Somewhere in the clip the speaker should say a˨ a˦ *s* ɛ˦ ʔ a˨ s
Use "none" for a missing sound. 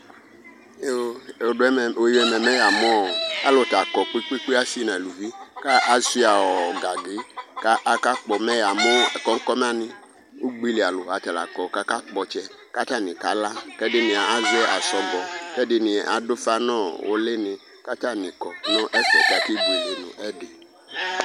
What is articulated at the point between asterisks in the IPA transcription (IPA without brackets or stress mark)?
z